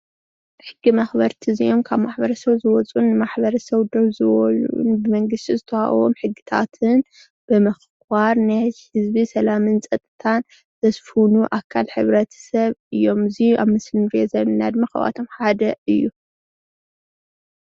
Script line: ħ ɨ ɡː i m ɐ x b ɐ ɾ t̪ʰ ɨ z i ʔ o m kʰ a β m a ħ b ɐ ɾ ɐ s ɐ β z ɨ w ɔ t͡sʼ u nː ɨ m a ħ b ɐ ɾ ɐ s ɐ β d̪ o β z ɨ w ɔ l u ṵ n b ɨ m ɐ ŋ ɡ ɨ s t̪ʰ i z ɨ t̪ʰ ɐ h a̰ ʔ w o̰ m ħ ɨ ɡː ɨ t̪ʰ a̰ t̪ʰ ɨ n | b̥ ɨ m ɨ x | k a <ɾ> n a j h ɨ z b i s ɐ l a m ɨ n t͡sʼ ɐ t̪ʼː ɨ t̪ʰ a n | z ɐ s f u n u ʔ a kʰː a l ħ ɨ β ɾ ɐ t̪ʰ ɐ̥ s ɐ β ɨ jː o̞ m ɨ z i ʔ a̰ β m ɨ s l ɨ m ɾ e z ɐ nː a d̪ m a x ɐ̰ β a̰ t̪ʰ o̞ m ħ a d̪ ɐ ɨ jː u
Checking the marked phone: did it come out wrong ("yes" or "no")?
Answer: no